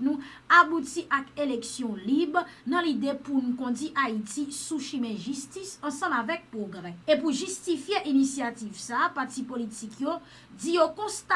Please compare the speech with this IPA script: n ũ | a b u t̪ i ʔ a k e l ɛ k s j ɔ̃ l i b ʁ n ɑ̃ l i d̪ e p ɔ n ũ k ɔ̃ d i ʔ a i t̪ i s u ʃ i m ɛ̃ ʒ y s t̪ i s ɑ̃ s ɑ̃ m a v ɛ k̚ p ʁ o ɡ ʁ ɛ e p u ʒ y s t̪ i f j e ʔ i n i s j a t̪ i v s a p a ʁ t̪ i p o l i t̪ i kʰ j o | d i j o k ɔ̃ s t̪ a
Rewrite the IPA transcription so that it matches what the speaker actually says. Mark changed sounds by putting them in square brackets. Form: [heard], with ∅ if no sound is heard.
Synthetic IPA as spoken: n ũ | a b u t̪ i ʔ a k e l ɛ k s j ɔ̃ l i b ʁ n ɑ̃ l i d̪ e p [u] n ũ k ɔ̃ d i ʔ a i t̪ i s u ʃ i m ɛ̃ ʒ y s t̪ i s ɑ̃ s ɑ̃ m a v ɛ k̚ p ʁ o ɡ ʁ ɛ e p u ʒ y s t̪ i f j e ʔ i n i s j a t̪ i v s a p a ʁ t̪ i p o l i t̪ i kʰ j o | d i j o k ɔ̃ s t̪ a